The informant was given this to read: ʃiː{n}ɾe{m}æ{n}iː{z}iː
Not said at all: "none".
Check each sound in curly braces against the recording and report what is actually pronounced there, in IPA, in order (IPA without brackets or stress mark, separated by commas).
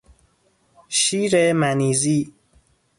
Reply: none, m, n, z